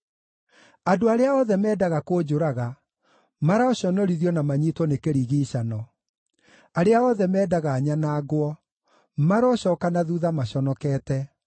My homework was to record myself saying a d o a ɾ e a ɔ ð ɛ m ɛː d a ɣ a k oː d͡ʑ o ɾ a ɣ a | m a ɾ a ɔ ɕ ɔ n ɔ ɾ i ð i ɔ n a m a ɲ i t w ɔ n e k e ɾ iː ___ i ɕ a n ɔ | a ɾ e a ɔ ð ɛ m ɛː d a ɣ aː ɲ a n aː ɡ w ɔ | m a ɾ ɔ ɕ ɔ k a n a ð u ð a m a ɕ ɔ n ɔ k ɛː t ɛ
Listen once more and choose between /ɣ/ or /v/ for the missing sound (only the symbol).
ɣ